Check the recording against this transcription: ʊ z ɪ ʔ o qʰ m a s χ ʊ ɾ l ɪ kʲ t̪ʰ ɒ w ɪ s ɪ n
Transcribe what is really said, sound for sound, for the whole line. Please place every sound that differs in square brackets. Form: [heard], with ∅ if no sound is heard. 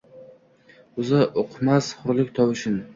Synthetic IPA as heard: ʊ z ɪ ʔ o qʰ m a s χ ʊ ɾ l ɪ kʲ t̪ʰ ɒ w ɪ [ʃ] ɪ n